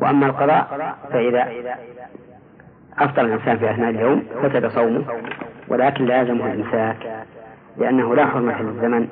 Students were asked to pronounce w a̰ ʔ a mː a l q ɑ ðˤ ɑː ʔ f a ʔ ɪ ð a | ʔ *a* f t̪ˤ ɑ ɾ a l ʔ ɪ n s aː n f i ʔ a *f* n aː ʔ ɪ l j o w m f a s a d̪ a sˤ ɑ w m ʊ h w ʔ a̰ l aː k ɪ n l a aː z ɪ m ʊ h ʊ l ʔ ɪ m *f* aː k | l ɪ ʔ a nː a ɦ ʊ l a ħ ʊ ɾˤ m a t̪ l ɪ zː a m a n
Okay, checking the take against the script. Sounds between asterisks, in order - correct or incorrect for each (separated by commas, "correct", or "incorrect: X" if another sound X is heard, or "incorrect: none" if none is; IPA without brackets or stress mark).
incorrect: ɑ, incorrect: θ, incorrect: s